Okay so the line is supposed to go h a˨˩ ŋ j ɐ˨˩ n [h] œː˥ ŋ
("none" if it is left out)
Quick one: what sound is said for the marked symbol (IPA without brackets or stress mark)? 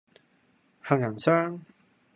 s